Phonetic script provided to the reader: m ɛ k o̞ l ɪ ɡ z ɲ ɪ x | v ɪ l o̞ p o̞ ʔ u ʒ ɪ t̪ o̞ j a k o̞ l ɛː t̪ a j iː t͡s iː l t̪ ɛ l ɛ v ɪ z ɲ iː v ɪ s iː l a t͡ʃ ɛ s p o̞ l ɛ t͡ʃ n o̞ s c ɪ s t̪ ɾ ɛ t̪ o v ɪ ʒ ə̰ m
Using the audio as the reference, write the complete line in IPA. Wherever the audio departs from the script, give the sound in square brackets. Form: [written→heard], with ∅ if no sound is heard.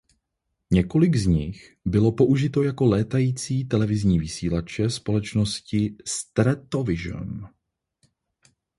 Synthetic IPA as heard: [m→ɲ] ɛ k o̞ l ɪ ɡ z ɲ ɪ x | [v→b] ɪ l o̞ p o̞ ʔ u ʒ ɪ t̪ o̞ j a k o̞ l ɛː t̪ a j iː t͡s iː [l→∅] t̪ ɛ l ɛ v ɪ z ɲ iː v ɪ s iː l a t͡ʃ ɛ s p o̞ l ɛ t͡ʃ n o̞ s c ɪ s t̪ ɾ ɛ t̪ o v ɪ ʒ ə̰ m